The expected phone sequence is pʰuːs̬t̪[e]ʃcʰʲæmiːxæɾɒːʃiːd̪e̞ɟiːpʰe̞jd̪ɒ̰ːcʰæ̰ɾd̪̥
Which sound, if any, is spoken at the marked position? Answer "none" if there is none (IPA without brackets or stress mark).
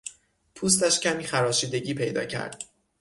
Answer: æ